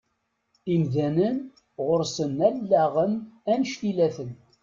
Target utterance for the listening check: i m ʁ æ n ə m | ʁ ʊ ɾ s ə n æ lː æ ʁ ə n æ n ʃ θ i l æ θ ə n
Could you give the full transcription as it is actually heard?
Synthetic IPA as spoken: i m ð æ n ə n | ʁ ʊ ɾ s ə n æ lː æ ʁ ə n æ n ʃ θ i l æ θ ə n